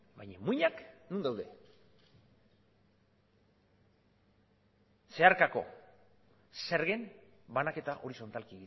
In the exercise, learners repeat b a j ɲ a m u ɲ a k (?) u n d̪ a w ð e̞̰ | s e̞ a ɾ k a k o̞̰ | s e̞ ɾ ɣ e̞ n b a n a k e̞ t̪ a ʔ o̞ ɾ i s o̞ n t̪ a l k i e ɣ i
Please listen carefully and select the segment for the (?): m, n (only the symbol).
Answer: n